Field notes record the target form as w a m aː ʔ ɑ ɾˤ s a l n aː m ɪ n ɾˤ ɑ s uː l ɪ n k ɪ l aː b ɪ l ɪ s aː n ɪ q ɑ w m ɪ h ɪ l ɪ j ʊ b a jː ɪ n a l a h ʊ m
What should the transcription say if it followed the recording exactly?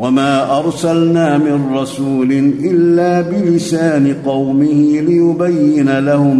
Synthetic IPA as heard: w a m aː ʔ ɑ ɾˤ s a l n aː m ɪ n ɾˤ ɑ s uː l ɪ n ʔ ɪ lː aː b ɪ l ɪ s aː n ɪ q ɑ w m ɪ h ɪ l ɪ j ʊ b a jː ɪ n a l a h ʊ m